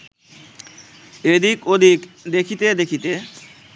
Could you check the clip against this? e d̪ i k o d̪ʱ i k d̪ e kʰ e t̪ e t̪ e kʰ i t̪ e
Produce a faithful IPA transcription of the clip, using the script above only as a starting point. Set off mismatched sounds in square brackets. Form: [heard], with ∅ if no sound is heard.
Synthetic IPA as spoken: e d̪ i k o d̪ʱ i k d̪ e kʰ [i] t̪ e [d̪] e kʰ i t̪ e